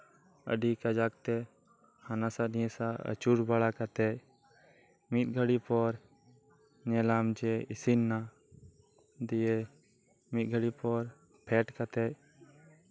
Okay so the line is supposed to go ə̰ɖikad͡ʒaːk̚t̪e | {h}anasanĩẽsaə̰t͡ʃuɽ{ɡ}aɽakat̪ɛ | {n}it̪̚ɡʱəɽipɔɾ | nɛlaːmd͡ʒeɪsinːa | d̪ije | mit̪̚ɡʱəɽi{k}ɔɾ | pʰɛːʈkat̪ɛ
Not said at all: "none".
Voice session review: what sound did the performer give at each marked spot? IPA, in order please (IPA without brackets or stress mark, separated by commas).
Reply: h, b, m, p